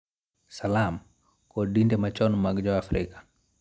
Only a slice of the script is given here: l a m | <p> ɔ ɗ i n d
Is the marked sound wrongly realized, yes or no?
yes